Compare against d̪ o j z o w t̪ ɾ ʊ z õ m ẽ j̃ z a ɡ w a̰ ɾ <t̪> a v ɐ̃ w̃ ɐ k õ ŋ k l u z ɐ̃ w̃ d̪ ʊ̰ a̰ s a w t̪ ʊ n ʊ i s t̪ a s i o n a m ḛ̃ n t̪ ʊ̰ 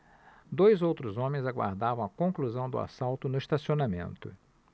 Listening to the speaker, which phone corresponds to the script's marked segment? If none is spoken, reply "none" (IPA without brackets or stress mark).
d̪